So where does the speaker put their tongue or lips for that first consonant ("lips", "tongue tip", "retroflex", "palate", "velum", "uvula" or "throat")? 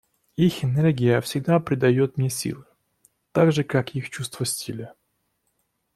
velum